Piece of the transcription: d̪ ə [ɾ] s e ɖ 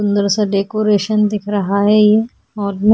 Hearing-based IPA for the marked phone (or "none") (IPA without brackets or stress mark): ɾ